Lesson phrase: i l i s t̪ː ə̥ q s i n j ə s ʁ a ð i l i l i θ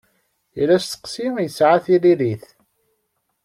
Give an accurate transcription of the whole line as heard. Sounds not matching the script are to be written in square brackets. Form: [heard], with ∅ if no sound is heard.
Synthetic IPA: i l [æ] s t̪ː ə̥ q s i [m] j ə s [ʕ] a [θ] i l i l i θ